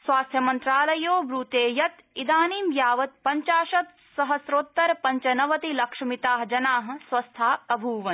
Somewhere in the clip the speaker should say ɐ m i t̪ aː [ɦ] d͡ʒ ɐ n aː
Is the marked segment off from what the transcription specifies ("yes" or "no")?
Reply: no